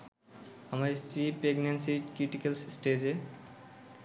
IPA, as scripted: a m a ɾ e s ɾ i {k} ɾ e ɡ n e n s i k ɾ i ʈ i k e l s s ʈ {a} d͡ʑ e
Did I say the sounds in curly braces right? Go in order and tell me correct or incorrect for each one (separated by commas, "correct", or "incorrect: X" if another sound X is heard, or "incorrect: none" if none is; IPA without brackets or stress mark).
incorrect: p, incorrect: e